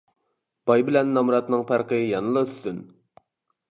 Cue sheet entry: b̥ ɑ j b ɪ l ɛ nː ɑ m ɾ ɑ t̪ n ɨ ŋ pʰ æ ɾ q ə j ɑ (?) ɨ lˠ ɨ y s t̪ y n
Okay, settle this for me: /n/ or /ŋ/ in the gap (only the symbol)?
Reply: n